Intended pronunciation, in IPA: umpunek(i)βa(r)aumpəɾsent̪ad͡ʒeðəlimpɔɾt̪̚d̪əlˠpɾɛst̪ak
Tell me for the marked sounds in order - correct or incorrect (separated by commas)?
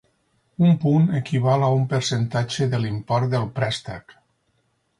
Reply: correct, incorrect